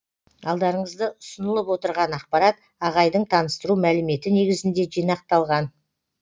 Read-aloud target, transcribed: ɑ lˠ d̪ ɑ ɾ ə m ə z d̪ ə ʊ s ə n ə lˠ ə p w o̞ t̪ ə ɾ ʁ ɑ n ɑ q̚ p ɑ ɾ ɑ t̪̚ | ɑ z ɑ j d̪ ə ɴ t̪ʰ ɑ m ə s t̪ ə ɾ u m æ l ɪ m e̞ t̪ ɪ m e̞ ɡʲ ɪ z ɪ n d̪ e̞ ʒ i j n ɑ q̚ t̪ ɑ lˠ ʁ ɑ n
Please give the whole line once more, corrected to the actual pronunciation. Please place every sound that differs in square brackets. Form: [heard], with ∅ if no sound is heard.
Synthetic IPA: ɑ lˠ d̪ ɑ ɾ ə [ɴ] ə z d̪ ə ʊ s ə n ə lˠ ə p w o̞ t̪ ə ɾ ʁ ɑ n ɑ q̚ p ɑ ɾ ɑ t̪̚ | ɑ [ʁ] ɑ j d̪ ə ɴ t̪ʰ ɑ [n] ə s t̪ ə ɾ u m æ l ɪ m e̞ t̪ ɪ [n] e̞ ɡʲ ɪ z ɪ n d̪ e̞ ʒ i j n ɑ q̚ t̪ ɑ lˠ ʁ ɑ n

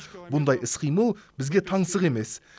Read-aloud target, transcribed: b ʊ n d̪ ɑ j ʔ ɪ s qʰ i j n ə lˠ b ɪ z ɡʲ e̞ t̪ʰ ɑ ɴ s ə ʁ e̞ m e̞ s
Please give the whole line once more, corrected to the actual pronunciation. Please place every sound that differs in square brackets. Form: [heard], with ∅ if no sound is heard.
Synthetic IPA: b ʊ n d̪ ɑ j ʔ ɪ s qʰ i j [m] ə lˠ b ɪ z ɡʲ e̞ t̪ʰ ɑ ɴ s ə ʁ e̞ m e̞ s

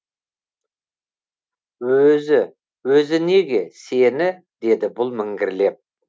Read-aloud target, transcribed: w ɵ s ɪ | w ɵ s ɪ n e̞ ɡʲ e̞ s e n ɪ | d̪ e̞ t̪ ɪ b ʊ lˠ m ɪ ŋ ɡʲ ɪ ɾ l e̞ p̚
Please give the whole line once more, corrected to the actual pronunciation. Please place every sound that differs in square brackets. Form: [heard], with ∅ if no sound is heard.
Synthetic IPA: w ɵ [z] ɪ | w ɵ [z] ɪ n e̞ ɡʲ e̞ s e n ɪ | d̪ e̞ [d̪] ɪ b ʊ lˠ m ɪ ŋ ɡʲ ɪ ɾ l e̞ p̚

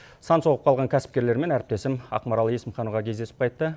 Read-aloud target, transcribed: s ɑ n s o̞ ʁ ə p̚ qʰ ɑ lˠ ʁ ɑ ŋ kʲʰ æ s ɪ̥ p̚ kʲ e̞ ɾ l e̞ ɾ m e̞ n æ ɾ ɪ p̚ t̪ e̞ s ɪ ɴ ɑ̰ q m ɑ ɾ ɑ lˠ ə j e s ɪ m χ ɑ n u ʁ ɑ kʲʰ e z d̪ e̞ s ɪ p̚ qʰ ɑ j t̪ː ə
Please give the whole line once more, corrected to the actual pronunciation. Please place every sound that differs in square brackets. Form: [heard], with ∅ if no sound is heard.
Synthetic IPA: s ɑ n s o̞ ʁ ə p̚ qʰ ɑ lˠ ʁ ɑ ŋ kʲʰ æ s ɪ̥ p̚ kʲ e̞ ɾ l e̞ ɾ m e̞ n æ ɾ ɪ p̚ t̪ e̞ s ɪ [m] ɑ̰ q m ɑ ɾ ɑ lˠ ə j e s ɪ m χ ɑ n u ʁ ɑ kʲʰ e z d̪ e̞ s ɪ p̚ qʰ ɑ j t̪ː ə

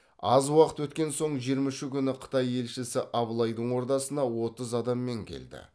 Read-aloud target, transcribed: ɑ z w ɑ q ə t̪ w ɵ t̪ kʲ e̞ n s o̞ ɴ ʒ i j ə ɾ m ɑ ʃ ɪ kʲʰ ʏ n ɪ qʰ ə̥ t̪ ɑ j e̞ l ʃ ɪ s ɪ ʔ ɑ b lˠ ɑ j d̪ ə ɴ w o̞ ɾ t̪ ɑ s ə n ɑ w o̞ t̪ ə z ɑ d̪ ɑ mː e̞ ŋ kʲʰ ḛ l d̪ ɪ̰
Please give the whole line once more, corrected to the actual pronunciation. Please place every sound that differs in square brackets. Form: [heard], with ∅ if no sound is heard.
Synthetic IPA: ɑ z w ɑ q ə t̪ w ɵ t̪ kʲ e̞ n s o̞ ɴ ʒ i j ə ɾ m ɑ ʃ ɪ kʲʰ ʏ n ɪ qʰ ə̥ t̪ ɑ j e̞ l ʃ ɪ s ɪ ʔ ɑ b lˠ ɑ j d̪ ə ɴ w o̞ ɾ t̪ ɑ s ə n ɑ w o̞ t̪ ə z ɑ d̪ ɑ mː e̞ ŋ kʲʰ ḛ l d̪ ɪ̰

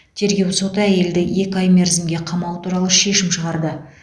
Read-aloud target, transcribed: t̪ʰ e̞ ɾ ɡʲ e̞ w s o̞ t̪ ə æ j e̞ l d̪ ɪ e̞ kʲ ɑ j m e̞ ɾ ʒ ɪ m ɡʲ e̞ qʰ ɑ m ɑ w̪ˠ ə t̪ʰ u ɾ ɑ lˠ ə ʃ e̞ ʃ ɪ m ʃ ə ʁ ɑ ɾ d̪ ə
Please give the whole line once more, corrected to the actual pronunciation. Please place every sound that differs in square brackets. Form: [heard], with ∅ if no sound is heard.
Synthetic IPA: t̪ʰ e̞ ɾ ɡʲ e̞ w s o̞ t̪ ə æ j e̞ l d̪ ɪ e̞ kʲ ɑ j m e̞ ɾ [z] ɪ m ɡʲ e̞ qʰ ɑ m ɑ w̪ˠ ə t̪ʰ u ɾ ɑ lˠ ə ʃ e̞ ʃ ɪ m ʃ ə ʁ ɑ ɾ d̪ ə

